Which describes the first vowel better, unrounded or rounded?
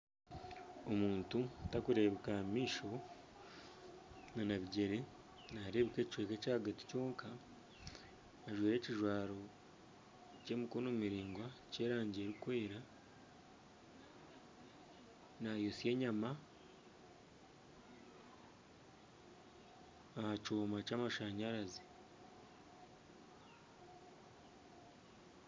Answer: rounded